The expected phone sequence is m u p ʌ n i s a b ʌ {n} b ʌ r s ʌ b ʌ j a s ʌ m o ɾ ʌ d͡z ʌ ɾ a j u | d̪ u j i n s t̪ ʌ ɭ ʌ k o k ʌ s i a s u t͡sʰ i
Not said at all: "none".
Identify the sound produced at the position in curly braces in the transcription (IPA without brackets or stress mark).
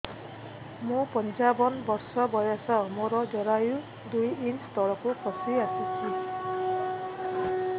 n